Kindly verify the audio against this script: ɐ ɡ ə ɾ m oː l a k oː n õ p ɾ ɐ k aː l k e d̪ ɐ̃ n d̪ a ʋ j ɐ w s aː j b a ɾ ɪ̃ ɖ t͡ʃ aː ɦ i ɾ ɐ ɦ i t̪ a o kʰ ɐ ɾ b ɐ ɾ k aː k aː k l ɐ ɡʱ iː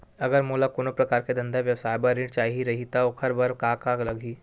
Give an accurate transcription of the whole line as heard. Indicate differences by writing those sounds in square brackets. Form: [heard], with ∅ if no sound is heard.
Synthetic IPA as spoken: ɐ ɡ ə ɾ m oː l a k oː n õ p ɾ ɐ k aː [ɾ] k e d̪ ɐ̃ n d̪ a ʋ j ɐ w s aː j b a ɾ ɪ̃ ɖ t͡ʃ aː ɦ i ɾ ɐ ɦ i t̪ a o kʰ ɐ ɾ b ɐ ɾ k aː k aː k l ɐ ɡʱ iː